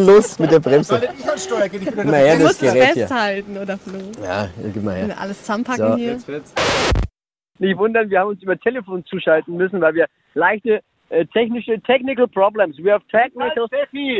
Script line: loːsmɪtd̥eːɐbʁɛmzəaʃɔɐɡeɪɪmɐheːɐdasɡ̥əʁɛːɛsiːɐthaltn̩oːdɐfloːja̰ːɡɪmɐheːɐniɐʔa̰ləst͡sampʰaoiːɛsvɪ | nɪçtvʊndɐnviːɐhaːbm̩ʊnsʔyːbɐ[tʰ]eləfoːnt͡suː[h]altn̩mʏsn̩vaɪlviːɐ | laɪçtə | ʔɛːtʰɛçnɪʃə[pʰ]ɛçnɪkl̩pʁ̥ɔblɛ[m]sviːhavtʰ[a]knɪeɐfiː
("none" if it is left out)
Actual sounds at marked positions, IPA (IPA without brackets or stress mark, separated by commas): tʰ, ʃ, tʰ, m, ɛ